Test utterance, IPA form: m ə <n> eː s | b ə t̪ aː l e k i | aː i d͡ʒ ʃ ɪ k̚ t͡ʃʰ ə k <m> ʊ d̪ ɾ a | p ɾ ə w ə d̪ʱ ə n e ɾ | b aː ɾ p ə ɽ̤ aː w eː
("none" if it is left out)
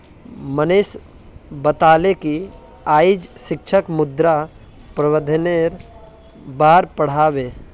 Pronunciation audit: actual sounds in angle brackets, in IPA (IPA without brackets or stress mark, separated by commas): n, m